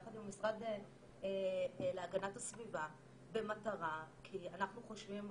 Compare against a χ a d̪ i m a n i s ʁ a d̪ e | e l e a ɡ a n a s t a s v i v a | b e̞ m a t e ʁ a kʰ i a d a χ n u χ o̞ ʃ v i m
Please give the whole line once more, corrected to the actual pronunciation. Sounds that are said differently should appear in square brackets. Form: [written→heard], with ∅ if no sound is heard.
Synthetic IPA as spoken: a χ a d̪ i m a [n→m] i s ʁ a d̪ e | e l e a ɡ a n a [s→∅] t a s v i v a | b e̞ m a t [e→a] ʁ a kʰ i a [d→n] a χ n u χ o̞ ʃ v i m